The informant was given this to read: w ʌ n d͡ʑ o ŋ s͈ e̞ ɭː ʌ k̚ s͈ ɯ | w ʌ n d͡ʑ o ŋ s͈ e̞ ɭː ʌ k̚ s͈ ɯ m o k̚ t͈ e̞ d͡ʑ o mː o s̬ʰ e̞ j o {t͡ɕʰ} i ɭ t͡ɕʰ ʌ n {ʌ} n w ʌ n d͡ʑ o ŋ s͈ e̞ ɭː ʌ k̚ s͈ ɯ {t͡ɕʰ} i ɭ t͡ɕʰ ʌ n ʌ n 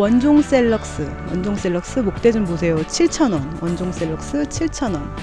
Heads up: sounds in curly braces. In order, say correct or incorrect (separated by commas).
correct, correct, correct